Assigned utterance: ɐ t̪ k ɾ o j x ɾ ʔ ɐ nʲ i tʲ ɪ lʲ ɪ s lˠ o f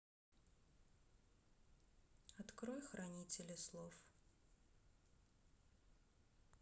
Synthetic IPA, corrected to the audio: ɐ t̪ k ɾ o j x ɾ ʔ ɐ nʲ i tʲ ɪ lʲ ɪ s lˠ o f